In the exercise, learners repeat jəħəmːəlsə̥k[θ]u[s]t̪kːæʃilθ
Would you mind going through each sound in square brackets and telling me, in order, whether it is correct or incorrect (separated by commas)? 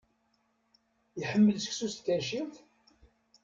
incorrect, correct